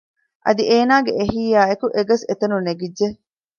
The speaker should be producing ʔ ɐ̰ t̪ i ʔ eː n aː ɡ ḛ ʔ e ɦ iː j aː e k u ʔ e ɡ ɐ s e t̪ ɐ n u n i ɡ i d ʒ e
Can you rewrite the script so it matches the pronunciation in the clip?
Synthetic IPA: ʔ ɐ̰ d̪ i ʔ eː n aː ɡ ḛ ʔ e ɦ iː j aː e k u ʔ e ɡ ɐ s e t̪ ɐ n u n e ɡ i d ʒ e